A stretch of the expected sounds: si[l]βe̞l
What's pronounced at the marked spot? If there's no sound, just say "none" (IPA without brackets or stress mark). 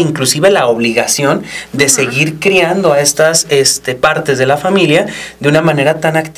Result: none